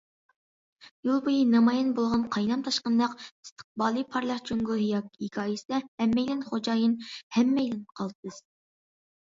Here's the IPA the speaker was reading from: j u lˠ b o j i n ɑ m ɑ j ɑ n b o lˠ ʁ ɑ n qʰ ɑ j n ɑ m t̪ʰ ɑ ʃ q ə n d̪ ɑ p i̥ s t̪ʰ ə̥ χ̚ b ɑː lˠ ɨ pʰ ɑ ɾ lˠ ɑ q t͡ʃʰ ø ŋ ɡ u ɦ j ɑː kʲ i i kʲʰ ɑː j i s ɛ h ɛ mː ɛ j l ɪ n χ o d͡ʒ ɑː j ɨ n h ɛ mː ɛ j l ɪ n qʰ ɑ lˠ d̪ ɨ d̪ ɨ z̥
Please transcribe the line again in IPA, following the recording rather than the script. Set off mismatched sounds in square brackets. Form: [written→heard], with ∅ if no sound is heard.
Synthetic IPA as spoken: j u lˠ b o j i n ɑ m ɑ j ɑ n b o lˠ ʁ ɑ n qʰ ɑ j n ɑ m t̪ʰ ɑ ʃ q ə n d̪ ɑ [p→q] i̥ s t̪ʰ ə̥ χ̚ b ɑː lˠ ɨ pʰ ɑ ɾ lˠ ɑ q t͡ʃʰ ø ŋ ɡ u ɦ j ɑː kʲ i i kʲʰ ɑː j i s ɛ h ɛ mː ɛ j l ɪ n χ o d͡ʒ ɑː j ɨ n h ɛ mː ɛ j l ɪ n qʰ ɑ lˠ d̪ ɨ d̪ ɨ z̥